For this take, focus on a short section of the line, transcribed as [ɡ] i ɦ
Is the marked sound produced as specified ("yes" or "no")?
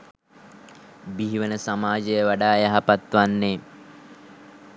no